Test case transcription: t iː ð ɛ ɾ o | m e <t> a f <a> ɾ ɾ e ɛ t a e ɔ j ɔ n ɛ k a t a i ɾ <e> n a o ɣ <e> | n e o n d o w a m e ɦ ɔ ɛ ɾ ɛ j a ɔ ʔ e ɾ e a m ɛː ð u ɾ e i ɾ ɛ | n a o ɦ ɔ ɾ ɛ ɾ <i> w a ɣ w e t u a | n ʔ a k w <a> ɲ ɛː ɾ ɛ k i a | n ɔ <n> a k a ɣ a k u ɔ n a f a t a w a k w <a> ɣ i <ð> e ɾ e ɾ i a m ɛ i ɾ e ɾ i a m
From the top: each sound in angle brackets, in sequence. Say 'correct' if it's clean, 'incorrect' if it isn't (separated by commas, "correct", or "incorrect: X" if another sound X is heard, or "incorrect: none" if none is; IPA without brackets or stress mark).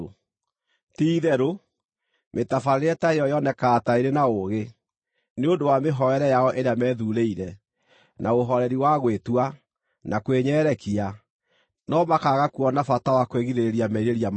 correct, correct, correct, correct, correct, incorrect: e, incorrect: m, incorrect: e, correct